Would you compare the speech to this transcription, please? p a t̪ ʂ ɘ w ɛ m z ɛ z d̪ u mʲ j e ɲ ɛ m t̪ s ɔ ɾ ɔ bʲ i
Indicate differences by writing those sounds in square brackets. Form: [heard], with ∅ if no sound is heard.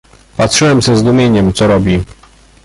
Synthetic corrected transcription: p a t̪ ʂ ɘ w ɛ m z ɛ z d̪ u mʲ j e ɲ ɛ m t̪ s ɔ ɾ ɔ bʲ i